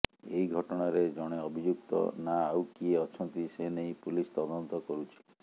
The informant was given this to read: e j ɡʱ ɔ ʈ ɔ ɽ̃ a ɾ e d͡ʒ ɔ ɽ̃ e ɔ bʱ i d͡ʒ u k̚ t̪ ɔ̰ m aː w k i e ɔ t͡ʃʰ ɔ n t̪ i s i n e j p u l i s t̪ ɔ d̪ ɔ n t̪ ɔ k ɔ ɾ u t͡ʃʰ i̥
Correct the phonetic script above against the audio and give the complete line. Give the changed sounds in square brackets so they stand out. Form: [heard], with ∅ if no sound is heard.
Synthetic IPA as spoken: e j ɡʱ ɔ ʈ ɔ ɽ̃ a ɾ e d͡ʒ ɔ ɽ̃ e ɔ bʱ i d͡ʒ u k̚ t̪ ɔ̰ [n] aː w k i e ɔ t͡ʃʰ ɔ n t̪ i s [e] n e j p u l i s t̪ ɔ d̪ ɔ n t̪ ɔ k ɔ ɾ u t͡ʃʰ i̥